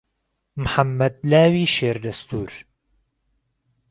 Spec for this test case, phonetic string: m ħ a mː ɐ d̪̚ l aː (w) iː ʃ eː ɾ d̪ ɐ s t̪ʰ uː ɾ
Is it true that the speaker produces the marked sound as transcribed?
yes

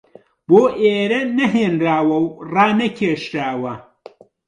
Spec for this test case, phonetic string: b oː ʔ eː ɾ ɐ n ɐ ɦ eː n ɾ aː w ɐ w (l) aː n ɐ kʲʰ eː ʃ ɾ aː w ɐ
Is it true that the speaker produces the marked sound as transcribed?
no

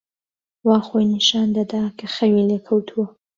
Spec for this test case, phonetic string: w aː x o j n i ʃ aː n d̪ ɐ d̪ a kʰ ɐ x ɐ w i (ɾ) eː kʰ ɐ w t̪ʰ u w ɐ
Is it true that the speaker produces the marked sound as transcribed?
no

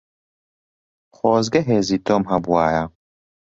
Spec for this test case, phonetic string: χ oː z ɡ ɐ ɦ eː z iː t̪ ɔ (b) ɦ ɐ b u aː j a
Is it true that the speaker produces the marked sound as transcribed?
no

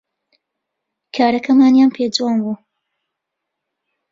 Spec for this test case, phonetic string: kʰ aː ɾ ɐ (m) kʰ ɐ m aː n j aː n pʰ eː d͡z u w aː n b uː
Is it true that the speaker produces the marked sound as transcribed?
no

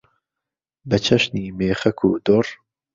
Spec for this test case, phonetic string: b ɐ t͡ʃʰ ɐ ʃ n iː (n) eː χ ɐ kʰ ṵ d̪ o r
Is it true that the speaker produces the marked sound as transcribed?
no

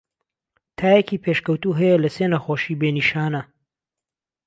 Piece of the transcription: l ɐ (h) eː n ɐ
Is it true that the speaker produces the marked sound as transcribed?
no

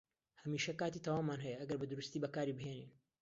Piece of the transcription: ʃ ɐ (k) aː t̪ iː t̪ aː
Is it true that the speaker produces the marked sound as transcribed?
yes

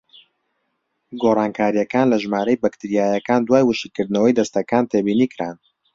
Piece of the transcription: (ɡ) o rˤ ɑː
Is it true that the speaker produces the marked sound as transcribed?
yes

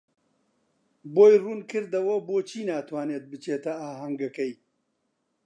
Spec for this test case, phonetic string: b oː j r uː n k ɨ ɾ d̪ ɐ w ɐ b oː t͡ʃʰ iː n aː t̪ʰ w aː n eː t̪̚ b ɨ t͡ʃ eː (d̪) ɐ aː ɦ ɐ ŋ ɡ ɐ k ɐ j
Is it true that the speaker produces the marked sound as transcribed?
no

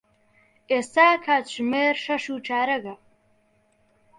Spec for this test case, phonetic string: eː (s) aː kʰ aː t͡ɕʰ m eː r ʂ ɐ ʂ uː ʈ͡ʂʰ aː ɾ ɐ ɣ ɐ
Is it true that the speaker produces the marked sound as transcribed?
yes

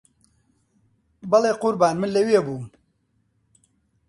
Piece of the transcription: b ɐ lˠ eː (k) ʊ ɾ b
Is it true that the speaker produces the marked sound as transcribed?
no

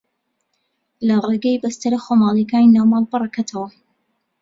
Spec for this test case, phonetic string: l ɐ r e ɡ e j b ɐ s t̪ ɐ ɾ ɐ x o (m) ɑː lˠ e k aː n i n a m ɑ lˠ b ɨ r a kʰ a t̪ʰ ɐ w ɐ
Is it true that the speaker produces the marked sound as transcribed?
yes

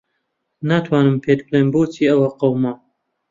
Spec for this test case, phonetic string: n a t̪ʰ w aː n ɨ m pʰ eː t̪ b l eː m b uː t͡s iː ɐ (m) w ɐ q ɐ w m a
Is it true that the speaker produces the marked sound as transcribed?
no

